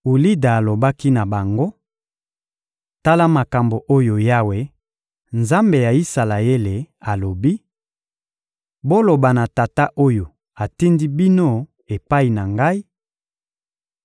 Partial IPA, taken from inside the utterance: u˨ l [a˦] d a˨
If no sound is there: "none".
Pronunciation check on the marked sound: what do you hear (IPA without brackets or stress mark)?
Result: i˦